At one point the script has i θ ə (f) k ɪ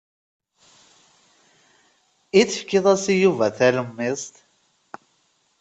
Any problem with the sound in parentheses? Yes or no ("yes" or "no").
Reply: no